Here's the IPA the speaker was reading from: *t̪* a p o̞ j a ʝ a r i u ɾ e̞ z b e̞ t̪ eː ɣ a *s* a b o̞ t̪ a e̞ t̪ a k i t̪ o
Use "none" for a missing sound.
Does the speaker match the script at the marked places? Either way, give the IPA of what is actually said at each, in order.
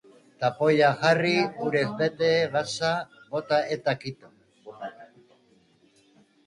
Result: t̪, s

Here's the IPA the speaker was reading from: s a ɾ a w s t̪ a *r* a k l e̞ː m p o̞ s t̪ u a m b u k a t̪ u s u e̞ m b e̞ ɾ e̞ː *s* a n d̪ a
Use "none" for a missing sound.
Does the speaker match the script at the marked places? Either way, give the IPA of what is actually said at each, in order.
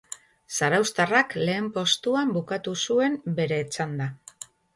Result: r, t͡s

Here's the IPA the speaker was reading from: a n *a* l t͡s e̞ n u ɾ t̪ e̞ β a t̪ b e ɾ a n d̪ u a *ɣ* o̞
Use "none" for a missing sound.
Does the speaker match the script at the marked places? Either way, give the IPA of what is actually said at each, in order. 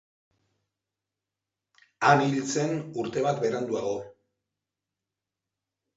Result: i, ɣ

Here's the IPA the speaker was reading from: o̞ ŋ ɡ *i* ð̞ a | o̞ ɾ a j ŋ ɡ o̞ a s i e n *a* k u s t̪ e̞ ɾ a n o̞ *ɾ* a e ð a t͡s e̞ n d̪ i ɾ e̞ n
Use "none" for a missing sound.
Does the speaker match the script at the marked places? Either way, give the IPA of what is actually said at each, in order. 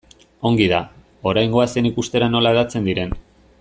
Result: i, i, l

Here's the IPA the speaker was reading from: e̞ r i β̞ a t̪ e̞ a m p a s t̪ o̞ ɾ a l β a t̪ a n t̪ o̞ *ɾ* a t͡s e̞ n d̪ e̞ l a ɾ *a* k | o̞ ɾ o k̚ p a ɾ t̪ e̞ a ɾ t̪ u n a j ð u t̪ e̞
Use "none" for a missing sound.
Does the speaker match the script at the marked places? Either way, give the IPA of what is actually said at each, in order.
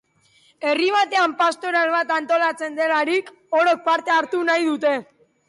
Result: l, i

